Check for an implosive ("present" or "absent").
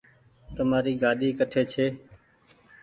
present